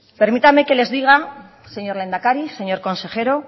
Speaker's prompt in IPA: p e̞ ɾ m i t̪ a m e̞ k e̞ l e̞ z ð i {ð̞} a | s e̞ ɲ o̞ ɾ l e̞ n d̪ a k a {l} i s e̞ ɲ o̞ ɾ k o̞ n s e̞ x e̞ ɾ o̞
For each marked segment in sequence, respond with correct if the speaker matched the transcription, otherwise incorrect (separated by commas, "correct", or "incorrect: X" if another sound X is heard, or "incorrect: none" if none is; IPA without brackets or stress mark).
incorrect: ɣ̞, incorrect: ɾ